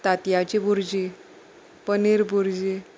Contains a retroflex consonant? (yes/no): no